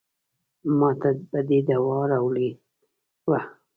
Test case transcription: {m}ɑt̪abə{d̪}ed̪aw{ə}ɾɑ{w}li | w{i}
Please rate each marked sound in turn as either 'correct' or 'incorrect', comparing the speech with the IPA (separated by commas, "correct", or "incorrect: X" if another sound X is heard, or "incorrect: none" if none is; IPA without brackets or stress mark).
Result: correct, correct, incorrect: ɑ, correct, incorrect: a